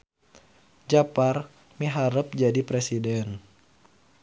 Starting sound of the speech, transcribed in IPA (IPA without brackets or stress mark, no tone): d͡ʒ